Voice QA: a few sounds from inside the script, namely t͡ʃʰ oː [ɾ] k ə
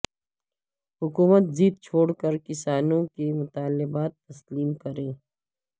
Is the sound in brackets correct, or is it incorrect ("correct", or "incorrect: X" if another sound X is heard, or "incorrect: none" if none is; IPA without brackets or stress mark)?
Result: incorrect: ɽ